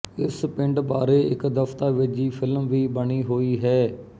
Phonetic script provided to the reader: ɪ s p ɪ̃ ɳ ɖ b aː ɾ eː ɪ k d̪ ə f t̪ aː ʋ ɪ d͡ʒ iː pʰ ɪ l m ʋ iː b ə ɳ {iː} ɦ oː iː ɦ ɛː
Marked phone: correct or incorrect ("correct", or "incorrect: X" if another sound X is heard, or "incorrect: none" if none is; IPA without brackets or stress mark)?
correct